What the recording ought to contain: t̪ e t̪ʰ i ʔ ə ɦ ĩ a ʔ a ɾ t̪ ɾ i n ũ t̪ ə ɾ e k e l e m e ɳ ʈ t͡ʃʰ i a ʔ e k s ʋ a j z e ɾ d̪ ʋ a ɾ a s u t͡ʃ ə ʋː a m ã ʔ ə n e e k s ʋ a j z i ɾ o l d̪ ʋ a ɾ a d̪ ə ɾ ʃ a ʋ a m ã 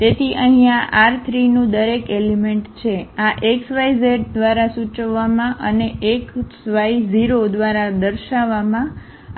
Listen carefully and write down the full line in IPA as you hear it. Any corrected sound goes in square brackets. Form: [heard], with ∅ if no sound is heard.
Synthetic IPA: t̪ e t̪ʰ i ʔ ə ɦ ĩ a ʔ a ɾ [t̪ʰ] ɾ i n ũ [d̪] ə ɾ e k e l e m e ɳ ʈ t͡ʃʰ [e] a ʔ e k s ʋ a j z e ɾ d̪ ʋ a ɾ a s u t͡ʃ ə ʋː a m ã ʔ ə n e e k s ʋ a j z i ɾ o [∅] d̪ ʋ a ɾ a d̪ ə ɾ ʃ a ʋ a m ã

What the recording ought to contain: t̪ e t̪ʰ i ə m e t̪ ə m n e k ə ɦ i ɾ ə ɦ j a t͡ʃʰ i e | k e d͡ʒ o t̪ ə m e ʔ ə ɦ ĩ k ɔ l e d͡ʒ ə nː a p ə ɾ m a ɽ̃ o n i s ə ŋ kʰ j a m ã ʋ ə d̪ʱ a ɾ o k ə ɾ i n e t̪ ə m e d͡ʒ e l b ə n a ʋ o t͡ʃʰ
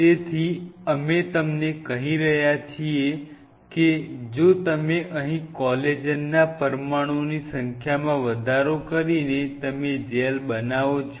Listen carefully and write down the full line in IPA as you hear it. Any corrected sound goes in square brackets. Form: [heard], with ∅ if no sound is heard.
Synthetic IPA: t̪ e t̪ʰ i ə m e t̪ ə m n e k ə ɦ i ɾ ə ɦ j a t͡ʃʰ i e | k e d͡ʒ o t̪ ə m e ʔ ə ɦ ĩ k ɔ l e d͡ʒ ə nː a p ə ɾ m a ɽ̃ o n i s ə ŋ kʰ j a m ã ʋ ə d̪ʱ a ɾ o k ə ɾ i n e t̪ ə m e d͡ʒ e l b ə n a ʋ o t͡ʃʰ

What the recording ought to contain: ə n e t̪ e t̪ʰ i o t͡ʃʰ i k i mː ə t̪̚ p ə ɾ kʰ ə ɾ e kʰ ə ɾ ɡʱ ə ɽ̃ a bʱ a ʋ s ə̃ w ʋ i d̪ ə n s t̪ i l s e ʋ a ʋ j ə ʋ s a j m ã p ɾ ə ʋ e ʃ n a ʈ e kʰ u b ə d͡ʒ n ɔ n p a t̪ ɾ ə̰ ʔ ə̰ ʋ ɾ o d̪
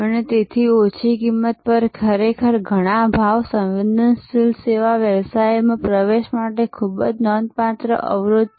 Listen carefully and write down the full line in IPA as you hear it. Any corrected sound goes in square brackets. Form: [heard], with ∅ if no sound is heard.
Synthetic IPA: ə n e t̪ e t̪ʰ i o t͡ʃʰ i k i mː ə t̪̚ p ə ɾ kʰ ə ɾ e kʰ ə ɾ ɡʱ ə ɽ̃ a bʱ a ʋ s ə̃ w ʋ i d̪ ə n s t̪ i l s e ʋ a ʋ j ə ʋ s a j m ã p ɾ ə ʋ e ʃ [m] a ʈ e kʰ u b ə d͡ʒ n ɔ n p a t̪ ɾ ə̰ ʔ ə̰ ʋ ɾ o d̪

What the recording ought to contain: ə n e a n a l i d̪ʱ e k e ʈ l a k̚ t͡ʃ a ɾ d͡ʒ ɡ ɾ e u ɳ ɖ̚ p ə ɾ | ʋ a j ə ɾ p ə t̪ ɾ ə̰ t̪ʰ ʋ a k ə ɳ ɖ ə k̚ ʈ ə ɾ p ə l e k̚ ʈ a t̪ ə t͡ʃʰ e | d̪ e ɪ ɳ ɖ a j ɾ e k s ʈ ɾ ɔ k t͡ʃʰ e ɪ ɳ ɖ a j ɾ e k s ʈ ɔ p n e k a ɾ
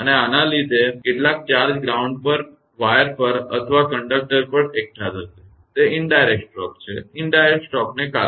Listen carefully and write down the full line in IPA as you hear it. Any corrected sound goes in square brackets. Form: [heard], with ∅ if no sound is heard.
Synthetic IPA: ə n e a n a l i d̪ʱ e k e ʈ l a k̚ t͡ʃ a ɾ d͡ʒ ɡ ɾ [a] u ɳ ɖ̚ p ə ɾ | ʋ a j ə ɾ p ə [∅] ɾ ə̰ t̪ʰ ʋ a k ə ɳ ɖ ə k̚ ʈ ə ɾ p ə [ɾ] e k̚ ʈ a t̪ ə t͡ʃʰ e | [t̪] e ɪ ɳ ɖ a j ɾ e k s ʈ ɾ ɔ k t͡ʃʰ e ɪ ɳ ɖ a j ɾ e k s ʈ ɔ [k] n e k a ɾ

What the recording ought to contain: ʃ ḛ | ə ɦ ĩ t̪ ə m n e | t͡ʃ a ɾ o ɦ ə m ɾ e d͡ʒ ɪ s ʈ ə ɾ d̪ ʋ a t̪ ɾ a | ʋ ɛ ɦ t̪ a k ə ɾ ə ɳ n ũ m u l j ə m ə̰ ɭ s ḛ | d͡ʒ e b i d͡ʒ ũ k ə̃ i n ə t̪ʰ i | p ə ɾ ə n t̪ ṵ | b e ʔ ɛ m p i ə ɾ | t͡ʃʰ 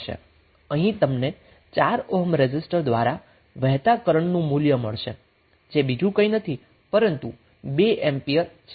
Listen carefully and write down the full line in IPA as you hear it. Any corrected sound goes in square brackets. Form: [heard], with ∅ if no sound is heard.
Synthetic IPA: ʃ ḛ | ə ɦ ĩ t̪ ə m n e | t͡ʃ a ɾ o ɦ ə m ɾ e d͡ʒ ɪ s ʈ ə ɾ d̪ ʋ a [∅] ɾ a | ʋ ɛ ɦ t̪ a k ə ɾ ə ɳ n ũ m u l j ə m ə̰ ɭ [ʃ] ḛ | d͡ʒ e b i d͡ʒ ũ k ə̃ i n ə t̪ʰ i | p ə ɾ ə n t̪ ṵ | b e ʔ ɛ m p i ə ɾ | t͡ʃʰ

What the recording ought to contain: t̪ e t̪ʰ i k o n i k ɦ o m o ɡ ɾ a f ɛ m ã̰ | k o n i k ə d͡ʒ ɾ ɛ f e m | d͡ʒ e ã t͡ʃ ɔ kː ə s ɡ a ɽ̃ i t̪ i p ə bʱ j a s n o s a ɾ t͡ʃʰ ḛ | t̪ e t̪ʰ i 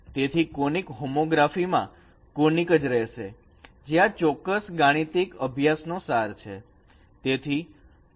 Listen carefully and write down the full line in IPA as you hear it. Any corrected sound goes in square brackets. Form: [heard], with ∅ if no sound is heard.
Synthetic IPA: t̪ e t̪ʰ i k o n i k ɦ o m o ɡ ɾ a f [i] m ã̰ | k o n i k ə d͡ʒ ɾ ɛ [ʃ] e [∅] | d͡ʒ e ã t͡ʃ ɔ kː ə s ɡ a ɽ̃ i t̪ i [k] ə bʱ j a s n o s a ɾ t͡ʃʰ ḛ | t̪ e t̪ʰ i

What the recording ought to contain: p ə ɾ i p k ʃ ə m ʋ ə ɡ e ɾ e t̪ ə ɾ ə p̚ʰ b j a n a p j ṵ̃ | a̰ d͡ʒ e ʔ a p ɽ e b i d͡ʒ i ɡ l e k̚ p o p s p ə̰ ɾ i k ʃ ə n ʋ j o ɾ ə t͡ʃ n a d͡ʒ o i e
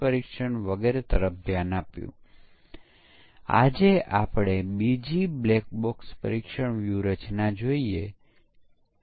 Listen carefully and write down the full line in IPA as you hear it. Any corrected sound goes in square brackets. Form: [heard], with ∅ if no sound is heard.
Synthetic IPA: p ə ɾ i [∅] k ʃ ə [ɳ] ʋ ə ɡ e ɾ e t̪ ə ɾ ə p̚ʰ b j a n a p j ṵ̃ | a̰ d͡ʒ e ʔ a p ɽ e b i d͡ʒ i [b] l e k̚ [b] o [k] s p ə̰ ɾ i k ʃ ə [ɳ] ʋ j [u] ɾ ə t͡ʃ n a d͡ʒ o i e

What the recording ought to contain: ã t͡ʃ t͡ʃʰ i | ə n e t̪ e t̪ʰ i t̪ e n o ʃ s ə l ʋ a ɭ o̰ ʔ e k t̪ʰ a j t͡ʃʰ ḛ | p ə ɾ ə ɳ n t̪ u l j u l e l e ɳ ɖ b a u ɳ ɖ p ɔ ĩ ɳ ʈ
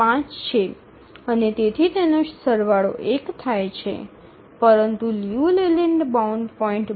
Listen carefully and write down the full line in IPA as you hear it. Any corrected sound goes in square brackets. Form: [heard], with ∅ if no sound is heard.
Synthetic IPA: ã t͡ʃ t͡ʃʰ [e] | ə n e t̪ e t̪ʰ i t̪ e n o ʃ s ə [ɾ] ʋ a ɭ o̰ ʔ e k t̪ʰ a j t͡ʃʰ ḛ | p ə ɾ ə [∅] n t̪ u l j u l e l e ɳ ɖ b a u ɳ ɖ p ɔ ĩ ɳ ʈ

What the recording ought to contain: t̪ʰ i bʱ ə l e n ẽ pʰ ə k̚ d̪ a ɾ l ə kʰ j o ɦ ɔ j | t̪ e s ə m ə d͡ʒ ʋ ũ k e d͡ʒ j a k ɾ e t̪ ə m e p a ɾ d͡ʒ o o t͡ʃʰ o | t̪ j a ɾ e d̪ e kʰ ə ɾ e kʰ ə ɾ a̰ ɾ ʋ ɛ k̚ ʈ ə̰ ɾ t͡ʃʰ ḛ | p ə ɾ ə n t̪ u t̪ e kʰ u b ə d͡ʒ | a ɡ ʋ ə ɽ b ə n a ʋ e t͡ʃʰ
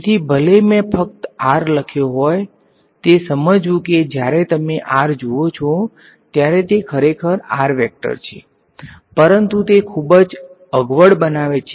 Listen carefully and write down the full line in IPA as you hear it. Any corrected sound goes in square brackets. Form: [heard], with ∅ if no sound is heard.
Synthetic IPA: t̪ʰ i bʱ ə l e [m] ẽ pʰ ə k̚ [t̪] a ɾ l ə kʰ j o ɦ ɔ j | t̪ e s ə m ə d͡ʒ ʋ ũ k e d͡ʒ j a [∅] ɾ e t̪ ə m e [ʔ] a ɾ d͡ʒ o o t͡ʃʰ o | t̪ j a ɾ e [t̪] e kʰ ə ɾ e kʰ ə ɾ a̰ ɾ ʋ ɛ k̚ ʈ ə̰ ɾ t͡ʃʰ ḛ | p ə ɾ ə n t̪ u t̪ e kʰ u b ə d͡ʒ | [ə] ɡ ʋ ə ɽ b ə n a ʋ e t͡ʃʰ

